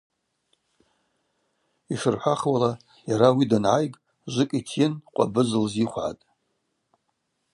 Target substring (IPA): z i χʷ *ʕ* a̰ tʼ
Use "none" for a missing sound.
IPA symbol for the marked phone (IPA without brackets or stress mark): ʕ